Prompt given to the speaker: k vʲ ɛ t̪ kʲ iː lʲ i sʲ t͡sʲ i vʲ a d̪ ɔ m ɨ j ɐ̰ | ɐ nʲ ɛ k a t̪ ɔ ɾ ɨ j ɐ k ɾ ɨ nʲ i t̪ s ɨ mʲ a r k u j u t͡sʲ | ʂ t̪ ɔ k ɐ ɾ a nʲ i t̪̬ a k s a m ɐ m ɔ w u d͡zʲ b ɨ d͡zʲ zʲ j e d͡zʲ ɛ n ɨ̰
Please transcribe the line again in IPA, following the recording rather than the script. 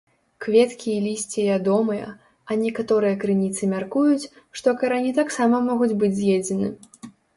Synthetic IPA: k vʲ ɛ t̪ kʲ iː lʲ i sʲ t͡sʲ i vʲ a d̪ ɔ m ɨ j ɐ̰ | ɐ nʲ ɛ k a t̪ ɔ ɾ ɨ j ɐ k ɾ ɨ nʲ i t̪ s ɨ mʲ a r k u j u t͡sʲ | ʂ t̪ ɔ k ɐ ɾ a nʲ i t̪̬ a k s a m ɐ m ɔ ɣ u d͡zʲ b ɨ d͡zʲ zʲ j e d͡zʲ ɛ n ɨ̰